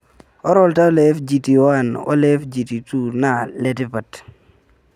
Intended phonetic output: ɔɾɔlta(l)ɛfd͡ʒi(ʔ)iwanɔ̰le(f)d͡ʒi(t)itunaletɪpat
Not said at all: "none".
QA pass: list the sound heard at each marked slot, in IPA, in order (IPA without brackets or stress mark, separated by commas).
l, t, f, t